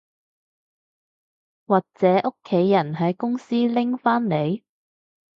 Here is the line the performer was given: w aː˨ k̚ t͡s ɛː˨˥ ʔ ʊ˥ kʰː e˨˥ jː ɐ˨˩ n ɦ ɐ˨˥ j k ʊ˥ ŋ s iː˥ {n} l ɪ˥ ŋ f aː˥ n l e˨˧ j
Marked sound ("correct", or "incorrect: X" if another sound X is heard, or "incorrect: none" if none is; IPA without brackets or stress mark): incorrect: none